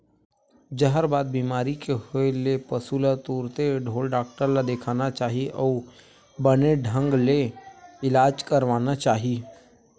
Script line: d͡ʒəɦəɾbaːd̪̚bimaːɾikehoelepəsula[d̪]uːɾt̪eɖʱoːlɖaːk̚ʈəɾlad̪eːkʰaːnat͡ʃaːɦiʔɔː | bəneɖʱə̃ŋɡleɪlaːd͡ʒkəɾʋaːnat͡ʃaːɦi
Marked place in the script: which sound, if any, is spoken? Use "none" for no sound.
t̪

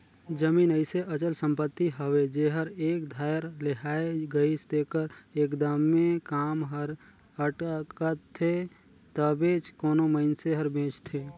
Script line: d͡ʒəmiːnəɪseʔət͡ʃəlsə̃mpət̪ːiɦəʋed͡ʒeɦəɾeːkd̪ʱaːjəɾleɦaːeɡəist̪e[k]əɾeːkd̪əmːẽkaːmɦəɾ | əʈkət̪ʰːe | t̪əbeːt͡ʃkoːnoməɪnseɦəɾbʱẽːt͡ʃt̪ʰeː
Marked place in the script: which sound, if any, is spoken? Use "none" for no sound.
k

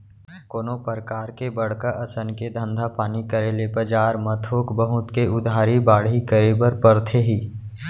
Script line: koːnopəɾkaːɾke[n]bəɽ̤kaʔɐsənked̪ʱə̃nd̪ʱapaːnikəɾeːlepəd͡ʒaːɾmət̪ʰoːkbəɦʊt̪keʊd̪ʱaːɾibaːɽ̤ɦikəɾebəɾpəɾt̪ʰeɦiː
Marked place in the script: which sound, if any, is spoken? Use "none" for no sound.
none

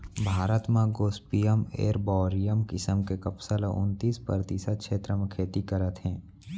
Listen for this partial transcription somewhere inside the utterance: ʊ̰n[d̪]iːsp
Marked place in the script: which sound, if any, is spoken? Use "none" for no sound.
t̪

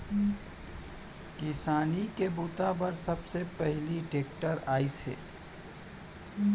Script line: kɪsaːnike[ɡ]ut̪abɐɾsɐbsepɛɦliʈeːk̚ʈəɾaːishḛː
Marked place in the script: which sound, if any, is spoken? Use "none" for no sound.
b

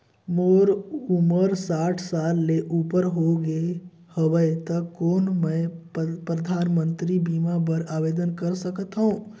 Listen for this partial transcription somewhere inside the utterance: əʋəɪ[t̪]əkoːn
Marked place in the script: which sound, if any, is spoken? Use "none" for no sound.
t̪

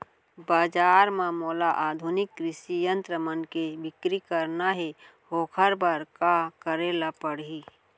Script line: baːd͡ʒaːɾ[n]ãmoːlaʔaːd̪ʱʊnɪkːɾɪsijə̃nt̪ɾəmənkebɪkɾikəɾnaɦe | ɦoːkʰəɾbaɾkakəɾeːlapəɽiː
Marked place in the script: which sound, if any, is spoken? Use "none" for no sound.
m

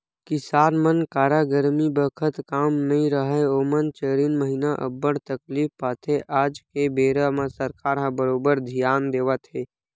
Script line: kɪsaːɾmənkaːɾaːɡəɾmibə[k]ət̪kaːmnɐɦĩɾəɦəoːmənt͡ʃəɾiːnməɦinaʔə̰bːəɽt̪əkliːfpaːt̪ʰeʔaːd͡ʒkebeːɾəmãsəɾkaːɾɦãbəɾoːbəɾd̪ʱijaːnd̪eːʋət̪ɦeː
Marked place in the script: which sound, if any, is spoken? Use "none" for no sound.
kʰ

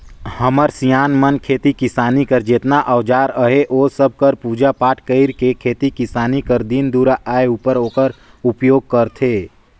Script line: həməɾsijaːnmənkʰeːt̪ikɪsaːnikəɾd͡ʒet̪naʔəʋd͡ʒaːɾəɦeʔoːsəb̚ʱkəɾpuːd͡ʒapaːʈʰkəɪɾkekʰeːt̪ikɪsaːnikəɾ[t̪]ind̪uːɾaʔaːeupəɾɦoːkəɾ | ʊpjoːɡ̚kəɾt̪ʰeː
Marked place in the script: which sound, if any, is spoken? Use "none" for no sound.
d̪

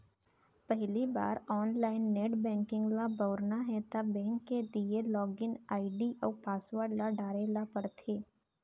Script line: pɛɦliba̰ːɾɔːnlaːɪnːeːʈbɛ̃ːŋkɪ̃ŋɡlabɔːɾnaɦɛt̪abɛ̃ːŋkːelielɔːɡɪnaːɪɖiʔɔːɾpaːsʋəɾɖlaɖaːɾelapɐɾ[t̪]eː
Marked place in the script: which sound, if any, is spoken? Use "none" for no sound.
t̪ʰ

